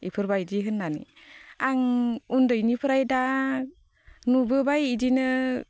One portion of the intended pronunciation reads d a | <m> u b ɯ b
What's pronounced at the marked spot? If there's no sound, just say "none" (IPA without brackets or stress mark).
n